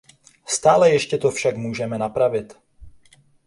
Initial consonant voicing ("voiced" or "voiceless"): voiceless